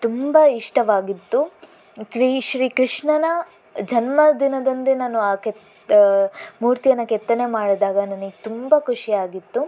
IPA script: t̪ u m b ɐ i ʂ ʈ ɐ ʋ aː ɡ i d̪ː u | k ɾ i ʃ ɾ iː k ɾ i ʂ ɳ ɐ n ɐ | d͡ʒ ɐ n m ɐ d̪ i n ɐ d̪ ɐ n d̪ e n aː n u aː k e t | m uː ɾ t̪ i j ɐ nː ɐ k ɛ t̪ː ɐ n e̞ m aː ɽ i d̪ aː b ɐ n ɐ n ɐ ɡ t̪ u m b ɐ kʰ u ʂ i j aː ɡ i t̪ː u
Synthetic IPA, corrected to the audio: t̪ u m b ɐ i ʂ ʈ ɐ ʋ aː ɡ i t̪ː u | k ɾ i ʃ ɾ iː k ɾ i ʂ ɳ ɐ n ɐ | d͡ʒ ɐ n m ɐ d̪ i n ɐ d̪ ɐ n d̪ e n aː n u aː k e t | m uː ɾ t̪ i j ɐ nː ɐ k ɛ t̪ː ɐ n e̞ m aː ɽ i d̪ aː ɡ ɐ n ɐ n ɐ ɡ t̪ u m b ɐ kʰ u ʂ i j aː ɡ i t̪ː u